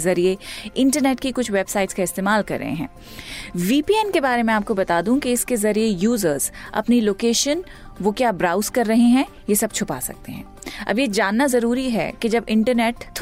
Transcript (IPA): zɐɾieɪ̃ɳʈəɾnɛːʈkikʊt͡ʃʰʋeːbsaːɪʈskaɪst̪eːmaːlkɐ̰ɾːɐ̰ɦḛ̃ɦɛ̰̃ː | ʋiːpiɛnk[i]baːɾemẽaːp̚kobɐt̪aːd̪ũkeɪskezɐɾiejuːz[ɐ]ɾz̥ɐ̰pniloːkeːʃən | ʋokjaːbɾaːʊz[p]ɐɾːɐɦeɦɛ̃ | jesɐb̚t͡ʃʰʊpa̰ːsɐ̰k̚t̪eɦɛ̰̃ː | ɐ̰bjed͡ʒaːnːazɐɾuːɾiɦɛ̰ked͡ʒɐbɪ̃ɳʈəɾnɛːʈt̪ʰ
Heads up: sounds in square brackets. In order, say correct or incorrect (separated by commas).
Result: incorrect, incorrect, incorrect